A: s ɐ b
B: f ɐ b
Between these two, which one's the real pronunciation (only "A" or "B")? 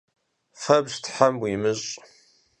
B